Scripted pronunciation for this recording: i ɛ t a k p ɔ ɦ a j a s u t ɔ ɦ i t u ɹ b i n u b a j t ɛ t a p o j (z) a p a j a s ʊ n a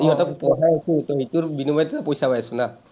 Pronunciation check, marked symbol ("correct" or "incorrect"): incorrect